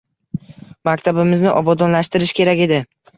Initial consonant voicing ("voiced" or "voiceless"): voiced